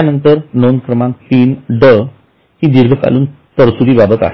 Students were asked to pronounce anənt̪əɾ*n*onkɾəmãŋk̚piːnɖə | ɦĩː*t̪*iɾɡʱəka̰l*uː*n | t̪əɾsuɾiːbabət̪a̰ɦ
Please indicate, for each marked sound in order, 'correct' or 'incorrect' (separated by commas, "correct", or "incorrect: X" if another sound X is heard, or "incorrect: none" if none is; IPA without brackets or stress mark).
correct, incorrect: d̪, correct